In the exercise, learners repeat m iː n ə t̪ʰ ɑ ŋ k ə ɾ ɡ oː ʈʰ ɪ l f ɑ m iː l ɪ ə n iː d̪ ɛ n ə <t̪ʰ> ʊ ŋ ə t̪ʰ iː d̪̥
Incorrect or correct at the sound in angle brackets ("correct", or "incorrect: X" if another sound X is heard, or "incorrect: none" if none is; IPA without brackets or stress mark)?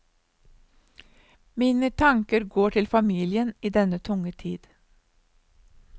correct